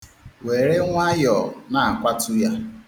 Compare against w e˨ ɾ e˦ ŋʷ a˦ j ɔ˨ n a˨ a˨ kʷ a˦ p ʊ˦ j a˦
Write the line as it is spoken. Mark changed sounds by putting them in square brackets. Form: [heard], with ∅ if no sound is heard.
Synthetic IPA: w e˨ ɾ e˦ ŋʷ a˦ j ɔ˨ n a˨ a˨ kʷ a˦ [t] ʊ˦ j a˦

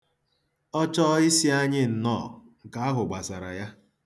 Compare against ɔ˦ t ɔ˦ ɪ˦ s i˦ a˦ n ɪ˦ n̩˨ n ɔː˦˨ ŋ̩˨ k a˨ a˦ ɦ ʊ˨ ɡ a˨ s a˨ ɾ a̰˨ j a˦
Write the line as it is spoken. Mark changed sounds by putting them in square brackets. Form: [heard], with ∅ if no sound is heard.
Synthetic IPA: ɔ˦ [t͡ʃ] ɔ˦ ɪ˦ s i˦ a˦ [ɲ] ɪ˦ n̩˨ n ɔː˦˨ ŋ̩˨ k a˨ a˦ ɦ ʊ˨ [ɡ͡b] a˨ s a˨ ɾ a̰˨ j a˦

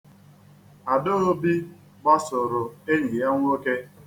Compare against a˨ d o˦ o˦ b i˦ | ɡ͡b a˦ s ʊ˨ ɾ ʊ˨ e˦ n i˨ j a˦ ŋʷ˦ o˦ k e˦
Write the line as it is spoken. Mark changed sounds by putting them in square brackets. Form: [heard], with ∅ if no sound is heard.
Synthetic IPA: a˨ d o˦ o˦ b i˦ | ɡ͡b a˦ s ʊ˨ ɾ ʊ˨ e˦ [ɲ] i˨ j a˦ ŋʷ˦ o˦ k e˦

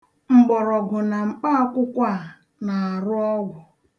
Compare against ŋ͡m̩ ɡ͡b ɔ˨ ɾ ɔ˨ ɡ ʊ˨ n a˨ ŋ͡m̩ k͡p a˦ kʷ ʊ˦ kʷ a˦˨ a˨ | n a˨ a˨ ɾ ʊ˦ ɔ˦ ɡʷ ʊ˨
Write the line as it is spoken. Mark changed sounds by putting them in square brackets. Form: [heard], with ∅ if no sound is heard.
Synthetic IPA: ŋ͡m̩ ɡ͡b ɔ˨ ɾ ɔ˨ ɡ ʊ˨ n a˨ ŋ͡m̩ k͡p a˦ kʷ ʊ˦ kʷ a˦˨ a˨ | n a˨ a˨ ɾ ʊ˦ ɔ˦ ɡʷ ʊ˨

